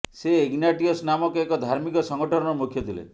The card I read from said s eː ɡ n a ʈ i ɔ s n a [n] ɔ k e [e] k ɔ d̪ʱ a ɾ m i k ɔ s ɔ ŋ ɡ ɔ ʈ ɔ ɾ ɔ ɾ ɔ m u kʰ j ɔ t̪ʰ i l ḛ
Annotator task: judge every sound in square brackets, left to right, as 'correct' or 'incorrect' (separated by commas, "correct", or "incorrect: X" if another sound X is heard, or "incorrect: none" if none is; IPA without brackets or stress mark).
incorrect: m, correct